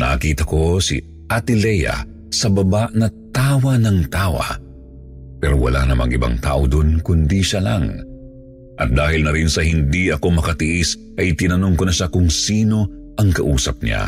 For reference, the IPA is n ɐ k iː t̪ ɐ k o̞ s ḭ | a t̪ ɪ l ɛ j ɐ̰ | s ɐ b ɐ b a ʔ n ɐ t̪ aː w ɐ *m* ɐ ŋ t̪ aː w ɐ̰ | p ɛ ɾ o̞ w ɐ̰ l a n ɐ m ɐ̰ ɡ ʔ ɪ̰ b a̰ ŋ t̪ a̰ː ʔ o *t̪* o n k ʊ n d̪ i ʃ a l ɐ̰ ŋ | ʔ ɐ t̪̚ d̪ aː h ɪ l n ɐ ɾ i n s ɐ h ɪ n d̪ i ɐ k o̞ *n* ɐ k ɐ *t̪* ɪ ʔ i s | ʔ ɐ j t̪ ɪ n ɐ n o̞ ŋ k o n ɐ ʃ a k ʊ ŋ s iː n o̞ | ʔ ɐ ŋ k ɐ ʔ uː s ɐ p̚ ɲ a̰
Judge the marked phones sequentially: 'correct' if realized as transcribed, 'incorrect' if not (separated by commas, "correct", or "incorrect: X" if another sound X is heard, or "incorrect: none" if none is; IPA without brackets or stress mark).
incorrect: n, incorrect: d̪, incorrect: m, correct